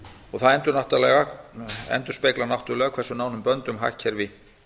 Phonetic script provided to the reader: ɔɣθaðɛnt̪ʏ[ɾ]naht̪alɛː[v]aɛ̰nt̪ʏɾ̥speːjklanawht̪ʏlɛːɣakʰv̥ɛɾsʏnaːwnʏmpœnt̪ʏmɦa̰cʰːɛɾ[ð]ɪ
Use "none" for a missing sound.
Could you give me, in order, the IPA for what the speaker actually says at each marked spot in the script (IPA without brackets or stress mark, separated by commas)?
ɾ, ɣ, v